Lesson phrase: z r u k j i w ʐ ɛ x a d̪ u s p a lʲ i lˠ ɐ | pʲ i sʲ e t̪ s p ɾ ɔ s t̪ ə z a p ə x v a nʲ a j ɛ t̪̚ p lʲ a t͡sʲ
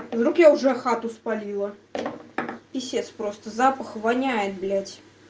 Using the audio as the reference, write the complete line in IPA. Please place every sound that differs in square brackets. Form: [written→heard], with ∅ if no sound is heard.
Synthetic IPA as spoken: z [r→ɾ] u k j [i→a] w ʐ ɛ x a [d̪→t̪] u s p a lʲ i lˠ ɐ | pʲ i sʲ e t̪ s p ɾ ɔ s t̪ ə z a p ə x v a nʲ a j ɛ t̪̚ [p→b] lʲ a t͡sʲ